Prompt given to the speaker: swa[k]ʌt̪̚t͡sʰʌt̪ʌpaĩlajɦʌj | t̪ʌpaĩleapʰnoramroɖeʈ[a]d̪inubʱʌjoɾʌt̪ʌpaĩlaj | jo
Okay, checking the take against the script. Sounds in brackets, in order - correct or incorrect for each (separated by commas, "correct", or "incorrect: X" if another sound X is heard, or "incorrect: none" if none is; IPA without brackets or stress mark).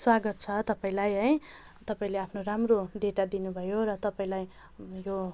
incorrect: ɡ, correct